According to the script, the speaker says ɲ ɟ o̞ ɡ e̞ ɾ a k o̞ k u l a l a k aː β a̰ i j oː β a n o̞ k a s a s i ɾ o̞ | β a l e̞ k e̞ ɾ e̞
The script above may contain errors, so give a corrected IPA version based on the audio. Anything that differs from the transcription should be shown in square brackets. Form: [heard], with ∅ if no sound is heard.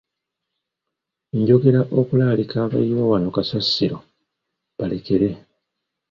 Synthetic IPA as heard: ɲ ɟ o̞ ɡ e̞ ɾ a [ʔ] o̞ k u l a l [i] k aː β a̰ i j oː [w] a n o̞ k a s a s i ɾ o̞ | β a l e̞ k e̞ ɾ e̞